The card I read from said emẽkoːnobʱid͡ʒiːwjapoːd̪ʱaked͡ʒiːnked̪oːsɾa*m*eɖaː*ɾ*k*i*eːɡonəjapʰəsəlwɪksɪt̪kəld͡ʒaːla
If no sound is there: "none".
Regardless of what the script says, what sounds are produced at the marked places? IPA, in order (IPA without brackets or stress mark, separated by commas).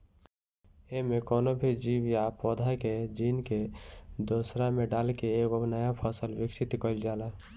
m, l, e